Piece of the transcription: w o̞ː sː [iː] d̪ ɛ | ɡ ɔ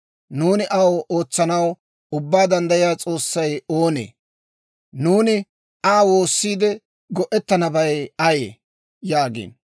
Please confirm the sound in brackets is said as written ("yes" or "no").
yes